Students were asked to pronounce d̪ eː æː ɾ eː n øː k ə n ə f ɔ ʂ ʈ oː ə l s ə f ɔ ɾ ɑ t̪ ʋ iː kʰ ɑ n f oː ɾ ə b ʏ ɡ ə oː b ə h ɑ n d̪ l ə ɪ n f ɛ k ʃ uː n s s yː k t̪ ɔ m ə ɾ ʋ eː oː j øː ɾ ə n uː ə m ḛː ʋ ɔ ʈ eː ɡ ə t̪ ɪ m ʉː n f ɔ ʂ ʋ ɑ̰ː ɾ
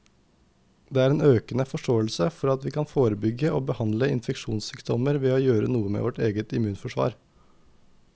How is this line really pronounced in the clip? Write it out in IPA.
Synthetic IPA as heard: d̪ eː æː ɾ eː n øː k ə n ə f ɔ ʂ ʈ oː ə l s ə f ɔ ɾ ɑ t̪ ʋ iː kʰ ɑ n f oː ɾ ə b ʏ ɡ ə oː b ə h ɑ n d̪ l ə ɪ n f ɛ k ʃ uː n s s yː k t̪ ɔ m ə ɾ ʋ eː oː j øː ɾ ə n uː ə m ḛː ʋ ɔ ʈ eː ɡ ə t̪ ɪ m ʉː n f ɔ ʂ ʋ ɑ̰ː ɾ